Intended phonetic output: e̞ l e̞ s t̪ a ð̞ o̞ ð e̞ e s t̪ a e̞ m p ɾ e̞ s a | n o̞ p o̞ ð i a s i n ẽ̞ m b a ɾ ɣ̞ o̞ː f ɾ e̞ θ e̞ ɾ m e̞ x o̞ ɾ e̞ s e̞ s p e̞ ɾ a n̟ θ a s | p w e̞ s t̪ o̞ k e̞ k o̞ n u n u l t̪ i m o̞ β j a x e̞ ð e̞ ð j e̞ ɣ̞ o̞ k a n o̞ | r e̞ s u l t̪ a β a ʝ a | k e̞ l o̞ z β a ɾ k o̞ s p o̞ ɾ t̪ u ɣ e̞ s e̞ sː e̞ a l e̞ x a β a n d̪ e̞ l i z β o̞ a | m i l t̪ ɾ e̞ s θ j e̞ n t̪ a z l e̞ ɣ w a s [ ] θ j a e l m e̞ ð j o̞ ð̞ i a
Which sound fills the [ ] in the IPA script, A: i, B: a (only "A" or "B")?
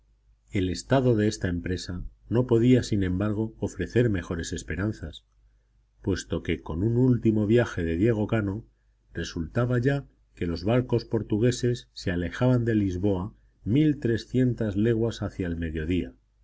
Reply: B